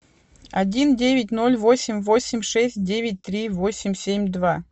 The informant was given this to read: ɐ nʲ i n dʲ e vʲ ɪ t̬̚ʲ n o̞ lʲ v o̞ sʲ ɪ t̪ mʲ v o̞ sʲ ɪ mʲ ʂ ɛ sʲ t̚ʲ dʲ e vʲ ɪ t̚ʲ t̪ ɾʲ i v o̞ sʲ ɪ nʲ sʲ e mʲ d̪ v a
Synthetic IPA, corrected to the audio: ɐ dʲ i n dʲ e vʲ ɪ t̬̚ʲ n o̞ lʲ v o̞ sʲ ɪ mʲ v o̞ sʲ ɪ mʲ ʂ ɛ sʲ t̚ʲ dʲ e vʲ ɪ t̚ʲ t̪ ɾʲ i v o̞ sʲ ɪ mʲ sʲ e mʲ d̪ v a